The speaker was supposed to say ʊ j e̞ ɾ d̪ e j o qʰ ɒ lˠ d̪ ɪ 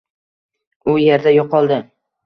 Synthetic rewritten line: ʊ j e̞ ɾ d̪ a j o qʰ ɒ lˠ d̪ ɪ